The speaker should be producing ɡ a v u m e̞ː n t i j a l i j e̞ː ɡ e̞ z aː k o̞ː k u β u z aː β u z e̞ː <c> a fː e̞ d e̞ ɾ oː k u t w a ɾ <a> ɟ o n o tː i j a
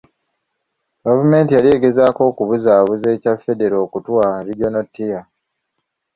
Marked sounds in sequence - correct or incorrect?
correct, incorrect

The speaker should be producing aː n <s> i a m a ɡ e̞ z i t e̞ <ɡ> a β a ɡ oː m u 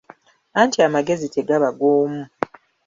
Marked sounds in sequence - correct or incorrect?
incorrect, correct

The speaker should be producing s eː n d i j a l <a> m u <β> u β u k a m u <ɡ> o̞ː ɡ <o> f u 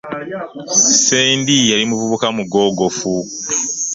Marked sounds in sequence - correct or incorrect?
incorrect, incorrect, correct, correct

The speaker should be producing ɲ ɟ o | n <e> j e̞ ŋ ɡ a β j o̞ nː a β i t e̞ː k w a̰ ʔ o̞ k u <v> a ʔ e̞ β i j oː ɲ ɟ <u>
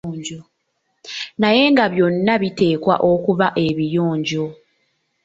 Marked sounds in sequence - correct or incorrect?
incorrect, incorrect, incorrect

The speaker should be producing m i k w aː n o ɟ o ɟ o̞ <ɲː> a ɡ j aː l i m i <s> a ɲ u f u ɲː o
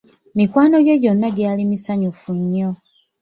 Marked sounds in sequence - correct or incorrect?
incorrect, correct

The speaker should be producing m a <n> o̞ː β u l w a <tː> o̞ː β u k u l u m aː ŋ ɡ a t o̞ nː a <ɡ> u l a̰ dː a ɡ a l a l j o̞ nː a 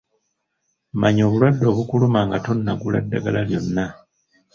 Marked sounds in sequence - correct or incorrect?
incorrect, incorrect, correct

